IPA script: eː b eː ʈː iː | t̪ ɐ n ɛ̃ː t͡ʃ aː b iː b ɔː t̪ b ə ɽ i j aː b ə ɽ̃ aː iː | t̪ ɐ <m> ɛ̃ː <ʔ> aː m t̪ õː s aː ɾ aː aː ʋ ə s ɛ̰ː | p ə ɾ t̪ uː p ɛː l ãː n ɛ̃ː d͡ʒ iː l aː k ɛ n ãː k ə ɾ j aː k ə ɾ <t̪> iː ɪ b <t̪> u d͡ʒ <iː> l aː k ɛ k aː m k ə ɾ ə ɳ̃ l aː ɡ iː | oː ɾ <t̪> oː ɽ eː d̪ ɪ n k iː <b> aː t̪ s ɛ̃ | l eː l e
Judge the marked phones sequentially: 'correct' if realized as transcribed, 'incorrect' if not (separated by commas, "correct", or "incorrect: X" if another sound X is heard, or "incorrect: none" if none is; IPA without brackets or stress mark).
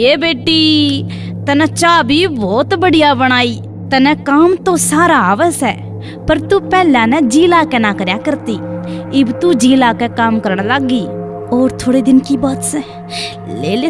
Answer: incorrect: n, incorrect: k, correct, correct, correct, incorrect: t̪ʰ, correct